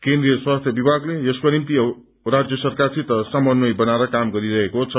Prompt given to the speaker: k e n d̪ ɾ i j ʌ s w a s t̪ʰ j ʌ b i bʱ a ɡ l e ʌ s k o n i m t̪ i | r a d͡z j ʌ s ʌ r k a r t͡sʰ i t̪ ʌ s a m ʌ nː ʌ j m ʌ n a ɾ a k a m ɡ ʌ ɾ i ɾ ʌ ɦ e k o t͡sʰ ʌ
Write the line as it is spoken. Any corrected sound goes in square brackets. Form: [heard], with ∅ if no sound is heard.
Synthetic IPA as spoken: k e n d̪ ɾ i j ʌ s w a s t̪ʰ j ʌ b i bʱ a ɡ l e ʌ s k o n i m t̪ i | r a d͡z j ʌ s ʌ r k a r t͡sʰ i t̪ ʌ s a m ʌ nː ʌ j [b] ʌ n a ɾ [ʌ] k a m ɡ ʌ ɾ i ɾ ʌ ɦ e k o t͡sʰ ʌ